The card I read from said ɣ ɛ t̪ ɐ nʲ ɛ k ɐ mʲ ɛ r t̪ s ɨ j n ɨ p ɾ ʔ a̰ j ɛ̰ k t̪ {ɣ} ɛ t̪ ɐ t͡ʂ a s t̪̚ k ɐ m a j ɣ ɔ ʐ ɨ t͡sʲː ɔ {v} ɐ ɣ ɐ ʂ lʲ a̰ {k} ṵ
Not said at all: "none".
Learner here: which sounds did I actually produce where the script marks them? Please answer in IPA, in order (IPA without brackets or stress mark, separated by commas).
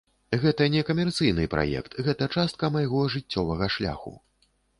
ɣ, v, x